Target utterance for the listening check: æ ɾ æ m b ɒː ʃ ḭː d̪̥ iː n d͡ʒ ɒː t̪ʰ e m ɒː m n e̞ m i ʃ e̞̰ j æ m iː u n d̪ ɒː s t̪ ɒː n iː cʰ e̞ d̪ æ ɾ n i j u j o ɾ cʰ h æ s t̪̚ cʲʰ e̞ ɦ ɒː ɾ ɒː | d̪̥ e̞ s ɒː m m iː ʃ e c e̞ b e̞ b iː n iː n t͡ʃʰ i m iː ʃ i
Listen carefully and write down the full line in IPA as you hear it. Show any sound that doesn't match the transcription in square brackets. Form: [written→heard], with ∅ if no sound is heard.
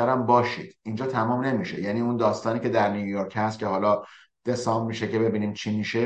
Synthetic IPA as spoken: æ ɾ æ m b ɒː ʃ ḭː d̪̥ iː n d͡ʒ ɒː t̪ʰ [e→æ] m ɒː m n e̞ m i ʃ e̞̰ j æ [m→n] iː u n d̪ ɒː s t̪ ɒː n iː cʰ e̞ d̪ æ ɾ n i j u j o ɾ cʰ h æ s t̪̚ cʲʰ e̞ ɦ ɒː [ɾ→l] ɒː | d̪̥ e̞ s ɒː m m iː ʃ e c e̞ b e̞ b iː n iː [n→m] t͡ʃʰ i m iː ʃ [i→e]